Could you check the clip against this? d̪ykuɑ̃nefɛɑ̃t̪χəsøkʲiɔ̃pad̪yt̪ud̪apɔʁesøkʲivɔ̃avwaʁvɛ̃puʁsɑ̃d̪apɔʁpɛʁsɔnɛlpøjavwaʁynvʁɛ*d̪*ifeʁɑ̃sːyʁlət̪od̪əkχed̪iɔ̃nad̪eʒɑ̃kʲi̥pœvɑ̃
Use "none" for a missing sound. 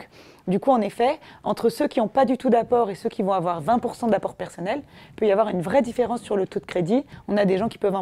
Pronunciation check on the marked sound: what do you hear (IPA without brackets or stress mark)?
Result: d̪